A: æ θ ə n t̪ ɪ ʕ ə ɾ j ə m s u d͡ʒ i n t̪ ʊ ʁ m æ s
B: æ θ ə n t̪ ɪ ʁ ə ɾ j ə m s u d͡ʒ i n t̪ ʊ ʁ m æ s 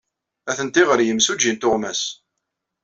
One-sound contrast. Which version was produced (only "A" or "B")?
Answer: B